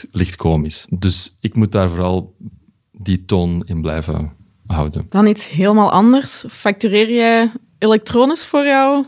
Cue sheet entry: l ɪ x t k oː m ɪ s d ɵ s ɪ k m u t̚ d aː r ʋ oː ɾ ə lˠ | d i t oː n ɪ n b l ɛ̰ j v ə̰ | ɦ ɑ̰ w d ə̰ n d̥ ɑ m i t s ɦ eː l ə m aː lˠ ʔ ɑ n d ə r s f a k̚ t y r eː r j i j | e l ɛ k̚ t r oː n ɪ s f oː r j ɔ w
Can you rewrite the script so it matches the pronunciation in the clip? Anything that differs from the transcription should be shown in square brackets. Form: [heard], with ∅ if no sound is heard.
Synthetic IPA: l ɪ x t k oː m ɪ s d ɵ s ɪ k m u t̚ d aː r [v] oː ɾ [ɑ] lˠ | d i t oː n ɪ n b l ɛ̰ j v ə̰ | ɦ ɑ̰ w d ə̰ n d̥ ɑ [n] i t s ɦ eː l ə m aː lˠ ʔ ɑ n d ə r s f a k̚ t y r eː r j [ɛ] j | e l ɛ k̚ t r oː n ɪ s f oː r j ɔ w